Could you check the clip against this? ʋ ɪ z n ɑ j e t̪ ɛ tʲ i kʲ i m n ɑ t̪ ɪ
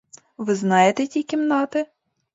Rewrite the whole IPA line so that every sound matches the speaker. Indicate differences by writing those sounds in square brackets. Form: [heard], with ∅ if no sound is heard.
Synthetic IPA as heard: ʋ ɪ z n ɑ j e t̪ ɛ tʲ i kʲ i m n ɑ t̪ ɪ